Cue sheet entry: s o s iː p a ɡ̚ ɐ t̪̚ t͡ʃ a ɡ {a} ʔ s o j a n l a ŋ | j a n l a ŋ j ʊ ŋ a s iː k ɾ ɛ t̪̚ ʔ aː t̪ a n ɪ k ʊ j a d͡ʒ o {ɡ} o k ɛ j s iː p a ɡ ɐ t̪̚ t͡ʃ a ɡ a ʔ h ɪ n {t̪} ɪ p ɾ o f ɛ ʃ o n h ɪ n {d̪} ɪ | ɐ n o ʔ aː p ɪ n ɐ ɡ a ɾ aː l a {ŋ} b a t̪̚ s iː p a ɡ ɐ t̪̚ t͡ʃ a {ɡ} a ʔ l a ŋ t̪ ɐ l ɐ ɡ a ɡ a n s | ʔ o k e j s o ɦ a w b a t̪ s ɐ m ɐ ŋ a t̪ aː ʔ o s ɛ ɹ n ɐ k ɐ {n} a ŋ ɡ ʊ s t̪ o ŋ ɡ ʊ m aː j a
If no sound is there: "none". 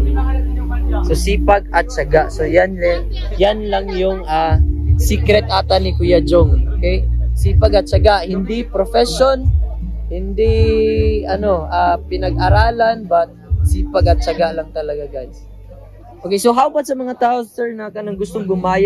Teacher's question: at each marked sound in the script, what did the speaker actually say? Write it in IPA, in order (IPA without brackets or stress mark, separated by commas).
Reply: a, ŋ, d̪, d̪, n, ɡ, n